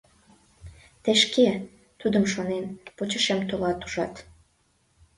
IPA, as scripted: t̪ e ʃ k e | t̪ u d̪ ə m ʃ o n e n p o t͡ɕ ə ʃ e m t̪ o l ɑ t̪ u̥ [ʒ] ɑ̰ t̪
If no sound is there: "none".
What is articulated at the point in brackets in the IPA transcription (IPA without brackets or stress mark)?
ʒ